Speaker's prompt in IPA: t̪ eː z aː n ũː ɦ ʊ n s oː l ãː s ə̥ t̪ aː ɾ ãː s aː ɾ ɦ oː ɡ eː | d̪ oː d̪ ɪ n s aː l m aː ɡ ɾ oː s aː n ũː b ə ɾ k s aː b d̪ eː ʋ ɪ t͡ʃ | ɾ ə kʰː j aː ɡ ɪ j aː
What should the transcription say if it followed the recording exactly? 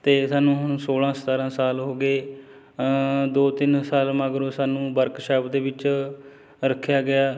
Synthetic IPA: t̪ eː s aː n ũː ɦ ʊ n s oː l ãː s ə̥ t̪ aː ɾ ãː s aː l ɦ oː ɡ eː | d̪ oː t̪ ɪ n s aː l m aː ɡ ɾ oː s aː n ũː b ə ɾ k ʃ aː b d̪ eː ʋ ɪ t͡ʃ | ɾ ə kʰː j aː ɡ ɪ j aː